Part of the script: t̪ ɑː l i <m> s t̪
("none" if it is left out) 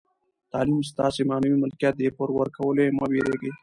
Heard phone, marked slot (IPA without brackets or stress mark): m